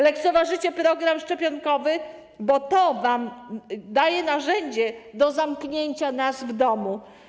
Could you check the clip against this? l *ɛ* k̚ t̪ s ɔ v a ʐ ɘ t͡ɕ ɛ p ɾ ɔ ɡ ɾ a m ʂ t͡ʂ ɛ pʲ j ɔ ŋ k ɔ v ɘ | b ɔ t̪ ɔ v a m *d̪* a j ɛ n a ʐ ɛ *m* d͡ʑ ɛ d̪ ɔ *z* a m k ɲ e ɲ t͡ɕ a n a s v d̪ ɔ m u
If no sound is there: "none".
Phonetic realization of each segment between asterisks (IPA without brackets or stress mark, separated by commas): ɛ, d̪, ɲ, z